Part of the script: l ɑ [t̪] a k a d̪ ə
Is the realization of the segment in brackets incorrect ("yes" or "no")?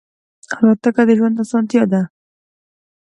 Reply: no